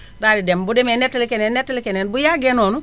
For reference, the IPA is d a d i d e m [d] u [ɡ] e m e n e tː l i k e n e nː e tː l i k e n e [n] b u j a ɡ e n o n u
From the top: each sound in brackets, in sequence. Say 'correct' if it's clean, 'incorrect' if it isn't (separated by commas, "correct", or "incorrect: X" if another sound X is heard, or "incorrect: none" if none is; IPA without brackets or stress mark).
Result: incorrect: b, incorrect: d, correct